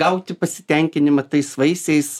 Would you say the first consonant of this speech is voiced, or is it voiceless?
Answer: voiceless